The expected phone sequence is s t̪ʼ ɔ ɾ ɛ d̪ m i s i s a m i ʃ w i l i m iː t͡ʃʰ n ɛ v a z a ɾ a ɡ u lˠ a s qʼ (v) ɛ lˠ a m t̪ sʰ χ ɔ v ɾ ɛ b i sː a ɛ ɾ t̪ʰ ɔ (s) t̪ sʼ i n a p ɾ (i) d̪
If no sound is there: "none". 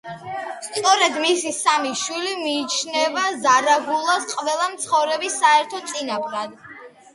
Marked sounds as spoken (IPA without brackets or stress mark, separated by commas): v, none, a